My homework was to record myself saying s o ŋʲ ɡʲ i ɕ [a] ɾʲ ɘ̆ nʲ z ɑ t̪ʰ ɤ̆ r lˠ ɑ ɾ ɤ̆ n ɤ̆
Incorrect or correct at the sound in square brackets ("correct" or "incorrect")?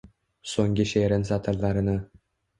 incorrect